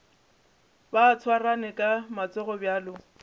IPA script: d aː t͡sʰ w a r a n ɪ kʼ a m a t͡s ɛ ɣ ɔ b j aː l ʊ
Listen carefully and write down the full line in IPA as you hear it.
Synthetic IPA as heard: b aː t͡sʰ w a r a n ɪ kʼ a m a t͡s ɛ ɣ ɔ b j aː l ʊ